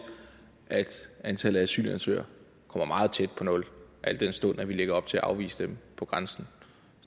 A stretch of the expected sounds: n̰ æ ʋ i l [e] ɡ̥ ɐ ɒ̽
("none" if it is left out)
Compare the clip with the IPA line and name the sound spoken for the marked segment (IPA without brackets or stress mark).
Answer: e